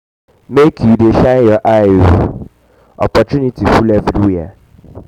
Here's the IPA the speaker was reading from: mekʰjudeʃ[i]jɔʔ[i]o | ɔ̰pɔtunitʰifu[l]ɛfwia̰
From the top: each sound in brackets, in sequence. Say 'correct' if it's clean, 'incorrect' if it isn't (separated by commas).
incorrect, incorrect, correct